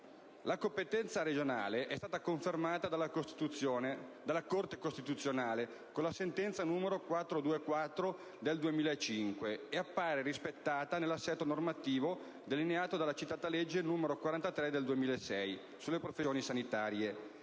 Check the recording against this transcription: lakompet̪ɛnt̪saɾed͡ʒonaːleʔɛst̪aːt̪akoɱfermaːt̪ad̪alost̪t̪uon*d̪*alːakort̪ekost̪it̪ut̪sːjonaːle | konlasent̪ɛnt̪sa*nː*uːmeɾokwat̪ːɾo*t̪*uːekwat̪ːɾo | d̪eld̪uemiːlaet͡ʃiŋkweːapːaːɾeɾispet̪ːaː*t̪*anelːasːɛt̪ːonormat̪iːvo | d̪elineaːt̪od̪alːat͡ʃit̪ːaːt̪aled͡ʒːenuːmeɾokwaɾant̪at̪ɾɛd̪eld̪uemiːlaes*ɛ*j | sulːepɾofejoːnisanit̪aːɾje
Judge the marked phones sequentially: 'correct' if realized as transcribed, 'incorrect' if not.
correct, incorrect, incorrect, correct, correct

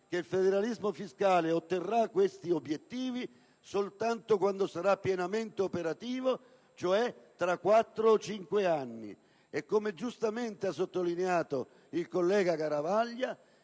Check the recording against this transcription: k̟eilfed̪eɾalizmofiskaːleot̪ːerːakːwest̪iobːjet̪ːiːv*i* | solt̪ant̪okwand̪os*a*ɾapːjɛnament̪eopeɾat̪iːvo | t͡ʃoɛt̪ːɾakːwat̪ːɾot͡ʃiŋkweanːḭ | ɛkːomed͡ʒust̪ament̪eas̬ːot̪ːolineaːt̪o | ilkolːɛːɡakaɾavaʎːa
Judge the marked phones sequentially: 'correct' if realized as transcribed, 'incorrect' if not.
correct, correct

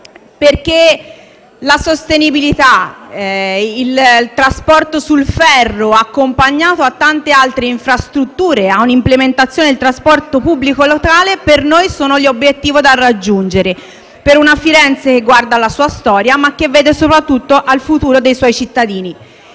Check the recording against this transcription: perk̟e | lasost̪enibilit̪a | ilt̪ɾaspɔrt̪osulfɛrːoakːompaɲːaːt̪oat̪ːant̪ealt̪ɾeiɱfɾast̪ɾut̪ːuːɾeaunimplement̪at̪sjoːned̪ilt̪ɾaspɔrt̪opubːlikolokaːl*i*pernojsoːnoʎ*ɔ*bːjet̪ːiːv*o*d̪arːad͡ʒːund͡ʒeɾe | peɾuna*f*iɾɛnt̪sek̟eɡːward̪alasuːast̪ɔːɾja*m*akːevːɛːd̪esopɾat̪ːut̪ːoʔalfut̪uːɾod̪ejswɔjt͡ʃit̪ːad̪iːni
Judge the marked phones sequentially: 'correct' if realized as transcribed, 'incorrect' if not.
incorrect, incorrect, correct, correct, correct

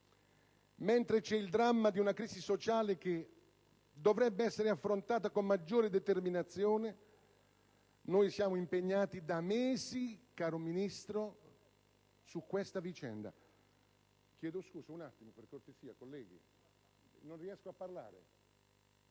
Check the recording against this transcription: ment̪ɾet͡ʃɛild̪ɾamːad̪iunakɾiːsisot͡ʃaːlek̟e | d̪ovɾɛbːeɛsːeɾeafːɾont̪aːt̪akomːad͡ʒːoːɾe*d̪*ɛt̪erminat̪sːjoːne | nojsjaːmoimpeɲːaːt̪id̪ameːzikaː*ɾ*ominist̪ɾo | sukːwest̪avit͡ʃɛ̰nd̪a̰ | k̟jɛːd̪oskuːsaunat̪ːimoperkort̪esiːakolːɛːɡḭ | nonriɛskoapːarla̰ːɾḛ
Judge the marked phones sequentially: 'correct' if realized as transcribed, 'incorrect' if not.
correct, correct

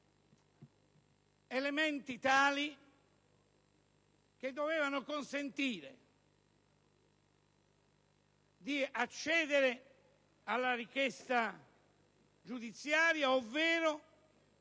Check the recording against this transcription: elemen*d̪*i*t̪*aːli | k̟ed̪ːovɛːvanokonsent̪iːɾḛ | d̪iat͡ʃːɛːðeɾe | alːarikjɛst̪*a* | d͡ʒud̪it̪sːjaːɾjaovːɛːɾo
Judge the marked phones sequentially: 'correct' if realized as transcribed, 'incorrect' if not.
incorrect, correct, correct

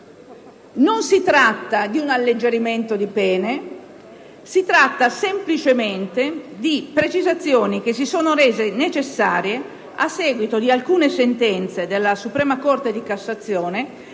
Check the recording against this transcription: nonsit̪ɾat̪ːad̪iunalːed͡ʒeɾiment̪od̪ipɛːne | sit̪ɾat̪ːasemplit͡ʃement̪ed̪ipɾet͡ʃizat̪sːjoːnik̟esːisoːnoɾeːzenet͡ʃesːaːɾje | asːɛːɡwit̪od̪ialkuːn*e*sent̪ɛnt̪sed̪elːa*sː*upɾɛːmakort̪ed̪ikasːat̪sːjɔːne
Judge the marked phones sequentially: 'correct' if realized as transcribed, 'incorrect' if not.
correct, incorrect

